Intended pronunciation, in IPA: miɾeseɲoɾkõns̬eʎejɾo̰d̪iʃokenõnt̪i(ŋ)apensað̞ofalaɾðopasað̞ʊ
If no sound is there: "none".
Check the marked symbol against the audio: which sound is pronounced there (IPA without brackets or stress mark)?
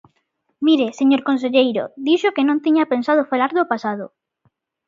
ɲ